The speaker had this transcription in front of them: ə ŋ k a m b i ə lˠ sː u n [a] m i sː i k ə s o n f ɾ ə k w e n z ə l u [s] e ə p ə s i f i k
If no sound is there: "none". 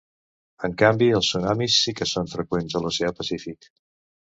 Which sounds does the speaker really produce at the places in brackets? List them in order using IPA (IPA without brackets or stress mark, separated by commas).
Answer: a, s